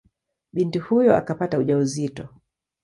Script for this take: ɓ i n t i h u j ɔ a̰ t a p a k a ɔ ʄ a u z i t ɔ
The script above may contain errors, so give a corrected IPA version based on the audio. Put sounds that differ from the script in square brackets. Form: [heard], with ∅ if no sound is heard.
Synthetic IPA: ɓ i n t i h u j ɔ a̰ [k] a p a [t] a [u] ʄ a u z i t ɔ